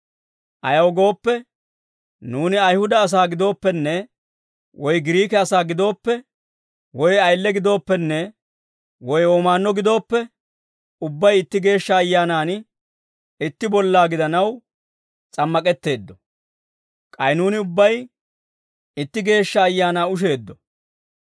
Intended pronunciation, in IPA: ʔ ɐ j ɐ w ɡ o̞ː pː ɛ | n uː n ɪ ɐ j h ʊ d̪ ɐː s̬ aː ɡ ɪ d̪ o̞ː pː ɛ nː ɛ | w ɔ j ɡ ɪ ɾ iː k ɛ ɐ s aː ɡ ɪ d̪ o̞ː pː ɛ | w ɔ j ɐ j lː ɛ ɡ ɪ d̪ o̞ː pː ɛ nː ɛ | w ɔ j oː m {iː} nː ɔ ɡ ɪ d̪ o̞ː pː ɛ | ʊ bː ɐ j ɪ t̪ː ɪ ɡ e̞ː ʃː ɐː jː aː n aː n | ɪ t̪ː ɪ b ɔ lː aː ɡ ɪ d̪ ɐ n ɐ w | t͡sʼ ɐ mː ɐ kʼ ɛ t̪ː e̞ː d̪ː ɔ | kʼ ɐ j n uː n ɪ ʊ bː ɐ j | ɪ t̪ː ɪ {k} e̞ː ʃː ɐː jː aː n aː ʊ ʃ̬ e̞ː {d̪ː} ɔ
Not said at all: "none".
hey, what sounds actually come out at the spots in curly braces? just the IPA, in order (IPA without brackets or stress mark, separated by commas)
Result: aː, ɡ, d̪ː